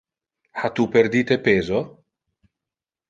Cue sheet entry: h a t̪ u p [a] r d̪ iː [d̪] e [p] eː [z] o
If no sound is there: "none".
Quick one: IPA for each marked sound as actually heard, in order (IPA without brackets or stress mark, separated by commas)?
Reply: e, t̪, p, z